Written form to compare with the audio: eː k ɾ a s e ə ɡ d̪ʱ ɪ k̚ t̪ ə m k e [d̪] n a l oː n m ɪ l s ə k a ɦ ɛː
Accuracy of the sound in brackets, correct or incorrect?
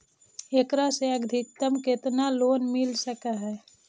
incorrect